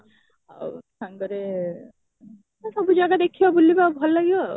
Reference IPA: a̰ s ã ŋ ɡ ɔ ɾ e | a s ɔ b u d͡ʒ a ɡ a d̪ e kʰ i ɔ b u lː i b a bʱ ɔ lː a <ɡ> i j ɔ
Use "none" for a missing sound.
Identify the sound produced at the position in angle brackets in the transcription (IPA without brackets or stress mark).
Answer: ɡ